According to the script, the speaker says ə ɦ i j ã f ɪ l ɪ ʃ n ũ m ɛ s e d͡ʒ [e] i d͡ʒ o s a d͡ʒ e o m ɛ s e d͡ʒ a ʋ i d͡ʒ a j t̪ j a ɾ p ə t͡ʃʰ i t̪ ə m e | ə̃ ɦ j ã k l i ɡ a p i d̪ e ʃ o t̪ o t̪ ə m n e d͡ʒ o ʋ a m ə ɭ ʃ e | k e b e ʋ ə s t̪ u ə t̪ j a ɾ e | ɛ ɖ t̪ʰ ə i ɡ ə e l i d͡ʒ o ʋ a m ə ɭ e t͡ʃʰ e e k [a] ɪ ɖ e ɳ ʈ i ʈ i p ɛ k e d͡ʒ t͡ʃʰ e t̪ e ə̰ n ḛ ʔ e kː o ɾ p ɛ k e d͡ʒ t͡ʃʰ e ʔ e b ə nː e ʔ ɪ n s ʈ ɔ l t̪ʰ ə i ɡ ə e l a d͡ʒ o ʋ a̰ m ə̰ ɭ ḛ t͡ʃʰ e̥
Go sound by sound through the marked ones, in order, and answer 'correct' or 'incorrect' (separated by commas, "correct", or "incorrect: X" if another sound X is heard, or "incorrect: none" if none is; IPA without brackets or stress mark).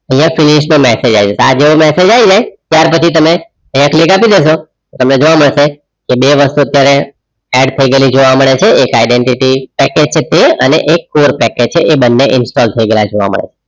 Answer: incorrect: a, correct